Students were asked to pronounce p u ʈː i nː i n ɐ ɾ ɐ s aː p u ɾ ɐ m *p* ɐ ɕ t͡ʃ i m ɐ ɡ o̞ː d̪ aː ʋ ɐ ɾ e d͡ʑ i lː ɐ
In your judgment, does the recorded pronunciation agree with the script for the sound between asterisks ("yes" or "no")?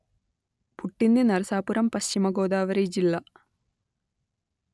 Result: yes